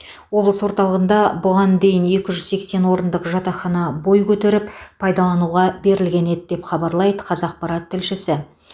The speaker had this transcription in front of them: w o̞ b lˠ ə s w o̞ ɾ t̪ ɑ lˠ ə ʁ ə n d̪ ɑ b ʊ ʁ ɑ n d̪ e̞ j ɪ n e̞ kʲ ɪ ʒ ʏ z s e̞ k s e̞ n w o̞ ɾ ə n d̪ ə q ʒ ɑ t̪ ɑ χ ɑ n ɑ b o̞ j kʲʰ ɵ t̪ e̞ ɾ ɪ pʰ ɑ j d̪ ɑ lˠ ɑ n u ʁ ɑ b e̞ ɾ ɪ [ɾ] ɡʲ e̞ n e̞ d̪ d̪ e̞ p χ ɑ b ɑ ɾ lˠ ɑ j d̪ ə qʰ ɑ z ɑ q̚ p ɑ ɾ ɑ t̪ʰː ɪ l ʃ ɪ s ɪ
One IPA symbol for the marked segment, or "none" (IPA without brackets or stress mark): l